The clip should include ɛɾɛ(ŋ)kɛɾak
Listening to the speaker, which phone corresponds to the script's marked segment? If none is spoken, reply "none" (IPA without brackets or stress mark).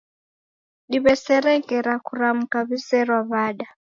ŋ